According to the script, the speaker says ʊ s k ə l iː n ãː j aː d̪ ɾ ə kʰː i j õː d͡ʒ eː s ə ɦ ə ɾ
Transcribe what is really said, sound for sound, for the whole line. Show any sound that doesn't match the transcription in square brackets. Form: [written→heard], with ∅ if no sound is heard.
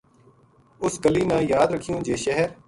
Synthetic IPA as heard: ʊ s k ə l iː n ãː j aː d̪ ɾ ə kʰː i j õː d͡ʒ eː [s→ʃ] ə ɦ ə ɾ